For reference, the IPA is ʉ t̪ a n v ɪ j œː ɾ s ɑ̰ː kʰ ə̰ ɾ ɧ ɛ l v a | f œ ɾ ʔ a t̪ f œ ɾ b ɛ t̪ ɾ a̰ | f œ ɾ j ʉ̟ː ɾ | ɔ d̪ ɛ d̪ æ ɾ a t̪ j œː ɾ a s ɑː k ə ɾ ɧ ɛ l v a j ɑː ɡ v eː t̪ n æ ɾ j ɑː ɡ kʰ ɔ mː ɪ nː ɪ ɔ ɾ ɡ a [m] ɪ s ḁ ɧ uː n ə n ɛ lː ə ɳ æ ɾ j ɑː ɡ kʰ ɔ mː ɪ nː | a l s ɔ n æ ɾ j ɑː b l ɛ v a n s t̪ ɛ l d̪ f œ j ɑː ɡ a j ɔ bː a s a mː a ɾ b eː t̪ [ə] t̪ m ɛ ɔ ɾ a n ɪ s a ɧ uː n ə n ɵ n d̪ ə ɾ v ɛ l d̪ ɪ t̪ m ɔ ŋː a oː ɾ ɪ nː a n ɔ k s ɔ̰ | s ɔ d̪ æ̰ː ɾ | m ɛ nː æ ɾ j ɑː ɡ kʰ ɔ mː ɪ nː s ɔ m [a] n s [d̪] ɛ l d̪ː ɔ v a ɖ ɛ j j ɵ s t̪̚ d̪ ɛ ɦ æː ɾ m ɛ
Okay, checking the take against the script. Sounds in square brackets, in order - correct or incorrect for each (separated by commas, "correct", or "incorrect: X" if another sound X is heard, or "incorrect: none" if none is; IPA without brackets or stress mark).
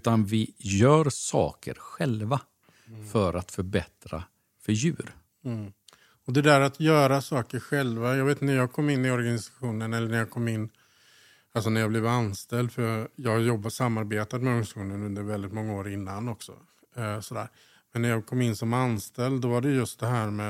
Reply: incorrect: n, incorrect: a, correct, incorrect: t̪